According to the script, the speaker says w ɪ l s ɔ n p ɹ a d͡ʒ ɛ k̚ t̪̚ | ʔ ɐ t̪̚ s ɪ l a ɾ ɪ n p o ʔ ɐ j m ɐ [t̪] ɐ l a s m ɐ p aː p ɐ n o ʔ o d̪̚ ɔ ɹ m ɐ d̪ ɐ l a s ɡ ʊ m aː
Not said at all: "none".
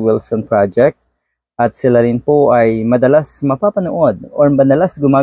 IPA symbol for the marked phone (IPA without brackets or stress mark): d̪